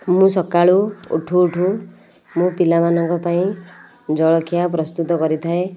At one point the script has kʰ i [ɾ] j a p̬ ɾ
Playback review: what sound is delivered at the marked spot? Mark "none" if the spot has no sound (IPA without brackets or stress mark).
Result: none